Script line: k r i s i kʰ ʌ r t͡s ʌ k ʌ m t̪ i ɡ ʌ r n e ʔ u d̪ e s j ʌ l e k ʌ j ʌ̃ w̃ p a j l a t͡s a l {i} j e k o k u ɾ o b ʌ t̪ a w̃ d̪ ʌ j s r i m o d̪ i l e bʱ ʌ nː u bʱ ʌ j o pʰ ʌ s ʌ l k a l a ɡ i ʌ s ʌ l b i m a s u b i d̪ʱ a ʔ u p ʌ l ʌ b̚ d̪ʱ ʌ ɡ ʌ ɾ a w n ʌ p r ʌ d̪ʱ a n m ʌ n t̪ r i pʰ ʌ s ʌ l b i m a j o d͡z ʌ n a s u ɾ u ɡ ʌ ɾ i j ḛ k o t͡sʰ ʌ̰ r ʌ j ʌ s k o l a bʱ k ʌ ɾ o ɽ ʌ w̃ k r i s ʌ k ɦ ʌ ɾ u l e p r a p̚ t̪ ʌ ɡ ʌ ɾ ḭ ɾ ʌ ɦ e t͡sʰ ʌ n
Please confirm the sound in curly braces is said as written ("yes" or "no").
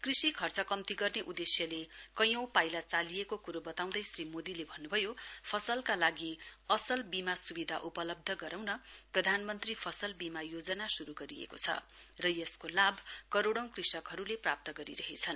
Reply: yes